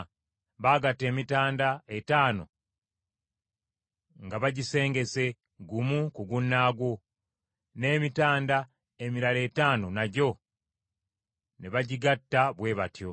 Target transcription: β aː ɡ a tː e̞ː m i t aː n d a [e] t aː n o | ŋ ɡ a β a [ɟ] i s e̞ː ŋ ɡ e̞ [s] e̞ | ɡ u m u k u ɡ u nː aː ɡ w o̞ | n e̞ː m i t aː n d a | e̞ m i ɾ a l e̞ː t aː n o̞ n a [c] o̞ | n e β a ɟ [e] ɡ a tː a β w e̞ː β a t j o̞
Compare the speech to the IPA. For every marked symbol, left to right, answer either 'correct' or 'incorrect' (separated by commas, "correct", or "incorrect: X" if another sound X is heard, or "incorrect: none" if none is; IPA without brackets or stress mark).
correct, correct, correct, incorrect: ɟ, incorrect: i